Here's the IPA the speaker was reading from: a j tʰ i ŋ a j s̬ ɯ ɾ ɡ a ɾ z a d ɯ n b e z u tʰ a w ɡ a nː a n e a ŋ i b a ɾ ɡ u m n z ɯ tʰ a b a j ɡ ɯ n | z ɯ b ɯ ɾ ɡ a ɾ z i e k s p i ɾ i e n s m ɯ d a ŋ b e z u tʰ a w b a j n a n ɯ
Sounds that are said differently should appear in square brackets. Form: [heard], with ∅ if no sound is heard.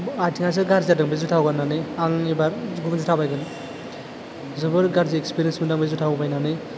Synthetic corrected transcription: a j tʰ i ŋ a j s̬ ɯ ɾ ɡ a ɾ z a d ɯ [ŋ] b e z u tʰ a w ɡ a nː a n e a ŋ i b a ɾ ɡ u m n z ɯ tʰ a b a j ɡ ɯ n | z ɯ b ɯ ɾ ɡ a ɾ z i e k s p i ɾ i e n s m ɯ d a ŋ b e z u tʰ a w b a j n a n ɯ